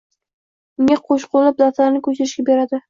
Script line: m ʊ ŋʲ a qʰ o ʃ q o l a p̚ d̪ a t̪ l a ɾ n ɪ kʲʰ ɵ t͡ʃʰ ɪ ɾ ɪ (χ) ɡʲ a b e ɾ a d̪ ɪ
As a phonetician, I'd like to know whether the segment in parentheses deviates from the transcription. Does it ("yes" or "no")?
yes